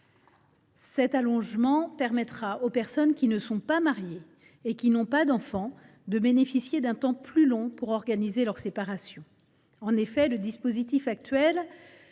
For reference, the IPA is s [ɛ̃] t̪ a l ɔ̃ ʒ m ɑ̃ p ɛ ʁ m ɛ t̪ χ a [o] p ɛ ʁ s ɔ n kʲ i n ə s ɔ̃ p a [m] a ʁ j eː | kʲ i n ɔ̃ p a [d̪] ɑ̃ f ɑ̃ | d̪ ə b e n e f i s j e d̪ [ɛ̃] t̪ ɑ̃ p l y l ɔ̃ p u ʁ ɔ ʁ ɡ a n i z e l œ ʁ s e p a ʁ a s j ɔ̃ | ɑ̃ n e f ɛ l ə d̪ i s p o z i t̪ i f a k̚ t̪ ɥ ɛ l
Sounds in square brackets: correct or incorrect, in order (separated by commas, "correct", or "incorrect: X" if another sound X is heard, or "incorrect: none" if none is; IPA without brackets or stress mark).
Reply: incorrect: ɛ, correct, correct, correct, correct